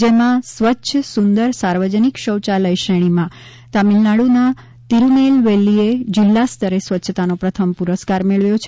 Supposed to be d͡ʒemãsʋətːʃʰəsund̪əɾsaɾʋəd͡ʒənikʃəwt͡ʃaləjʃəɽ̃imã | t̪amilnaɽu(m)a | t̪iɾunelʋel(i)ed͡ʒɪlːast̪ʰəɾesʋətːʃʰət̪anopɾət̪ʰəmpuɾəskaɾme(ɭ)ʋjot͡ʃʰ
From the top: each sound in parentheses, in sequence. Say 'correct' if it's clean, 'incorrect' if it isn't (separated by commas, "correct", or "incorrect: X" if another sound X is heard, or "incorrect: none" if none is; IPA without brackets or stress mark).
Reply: incorrect: n, correct, correct